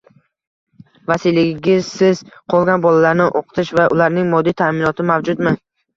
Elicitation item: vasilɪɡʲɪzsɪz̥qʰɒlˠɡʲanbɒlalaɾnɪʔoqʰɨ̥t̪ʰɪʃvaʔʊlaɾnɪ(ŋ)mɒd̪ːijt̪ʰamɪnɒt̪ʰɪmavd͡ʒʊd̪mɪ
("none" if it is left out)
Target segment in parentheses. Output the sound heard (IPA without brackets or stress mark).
ŋ